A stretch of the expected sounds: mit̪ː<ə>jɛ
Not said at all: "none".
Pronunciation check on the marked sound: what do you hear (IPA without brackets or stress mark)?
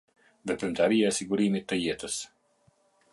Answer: ə